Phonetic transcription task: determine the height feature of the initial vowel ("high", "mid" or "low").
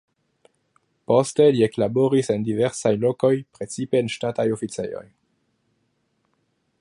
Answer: mid